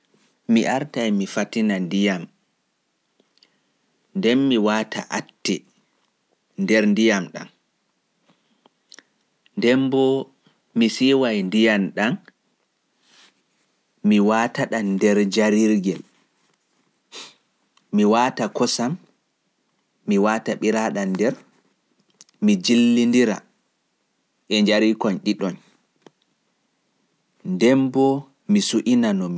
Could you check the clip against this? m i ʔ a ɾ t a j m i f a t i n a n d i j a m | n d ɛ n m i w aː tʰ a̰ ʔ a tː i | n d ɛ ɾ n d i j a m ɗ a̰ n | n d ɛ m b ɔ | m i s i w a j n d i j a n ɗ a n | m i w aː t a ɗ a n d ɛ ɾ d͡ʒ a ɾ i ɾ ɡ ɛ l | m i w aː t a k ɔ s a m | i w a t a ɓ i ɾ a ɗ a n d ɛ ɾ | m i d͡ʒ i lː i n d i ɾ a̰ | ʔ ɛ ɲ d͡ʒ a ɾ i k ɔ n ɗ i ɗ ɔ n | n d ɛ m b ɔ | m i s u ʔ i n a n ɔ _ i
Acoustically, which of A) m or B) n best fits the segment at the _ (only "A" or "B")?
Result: A